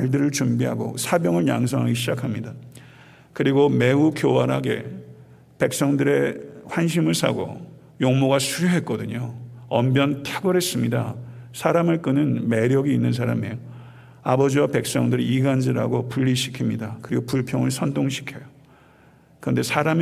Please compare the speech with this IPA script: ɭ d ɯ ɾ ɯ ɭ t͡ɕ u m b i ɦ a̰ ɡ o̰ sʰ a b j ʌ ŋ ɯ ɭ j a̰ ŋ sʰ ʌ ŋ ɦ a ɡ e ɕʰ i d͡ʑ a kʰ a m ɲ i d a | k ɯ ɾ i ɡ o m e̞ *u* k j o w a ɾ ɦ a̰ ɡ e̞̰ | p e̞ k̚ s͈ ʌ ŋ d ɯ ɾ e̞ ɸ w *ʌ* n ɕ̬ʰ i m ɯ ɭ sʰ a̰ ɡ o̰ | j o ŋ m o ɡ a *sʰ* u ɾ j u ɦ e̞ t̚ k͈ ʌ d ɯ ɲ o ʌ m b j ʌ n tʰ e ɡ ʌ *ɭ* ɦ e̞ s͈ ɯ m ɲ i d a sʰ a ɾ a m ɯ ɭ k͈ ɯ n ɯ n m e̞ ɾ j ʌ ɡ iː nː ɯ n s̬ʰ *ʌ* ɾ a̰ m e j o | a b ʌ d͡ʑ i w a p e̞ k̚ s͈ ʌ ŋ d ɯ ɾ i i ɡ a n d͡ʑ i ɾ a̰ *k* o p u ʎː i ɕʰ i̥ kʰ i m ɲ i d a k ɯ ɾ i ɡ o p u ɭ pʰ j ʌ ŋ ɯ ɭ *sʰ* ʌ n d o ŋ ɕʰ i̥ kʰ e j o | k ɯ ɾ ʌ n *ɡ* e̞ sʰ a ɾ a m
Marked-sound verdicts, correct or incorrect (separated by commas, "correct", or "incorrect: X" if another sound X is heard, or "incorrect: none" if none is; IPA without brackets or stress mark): correct, incorrect: a, correct, incorrect: ɾ, incorrect: a, incorrect: ɡ, correct, incorrect: d